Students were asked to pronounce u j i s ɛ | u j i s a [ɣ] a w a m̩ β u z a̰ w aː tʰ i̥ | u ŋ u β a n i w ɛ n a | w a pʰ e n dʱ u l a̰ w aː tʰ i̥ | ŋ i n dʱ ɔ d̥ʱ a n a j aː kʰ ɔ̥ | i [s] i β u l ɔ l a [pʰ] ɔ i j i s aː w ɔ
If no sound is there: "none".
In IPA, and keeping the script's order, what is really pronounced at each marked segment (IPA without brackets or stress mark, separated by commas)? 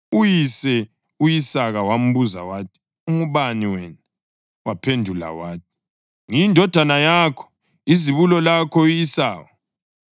ɣ, z, kʰ